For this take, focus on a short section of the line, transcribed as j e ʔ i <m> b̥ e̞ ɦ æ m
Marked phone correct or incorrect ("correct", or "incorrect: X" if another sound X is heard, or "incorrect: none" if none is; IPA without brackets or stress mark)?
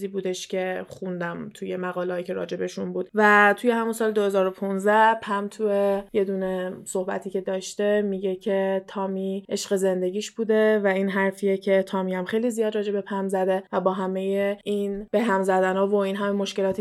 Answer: incorrect: n